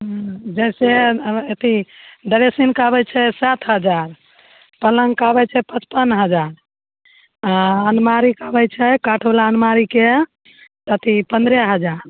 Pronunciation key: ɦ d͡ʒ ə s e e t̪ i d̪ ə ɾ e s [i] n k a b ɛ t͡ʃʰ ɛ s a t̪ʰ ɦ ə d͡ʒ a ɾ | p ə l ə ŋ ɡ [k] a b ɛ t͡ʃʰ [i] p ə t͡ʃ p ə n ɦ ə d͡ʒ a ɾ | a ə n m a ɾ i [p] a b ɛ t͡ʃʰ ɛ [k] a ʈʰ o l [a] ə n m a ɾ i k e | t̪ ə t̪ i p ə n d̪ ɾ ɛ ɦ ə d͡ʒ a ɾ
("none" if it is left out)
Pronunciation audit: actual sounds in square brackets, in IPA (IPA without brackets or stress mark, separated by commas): i, k, ɛ, k, k, a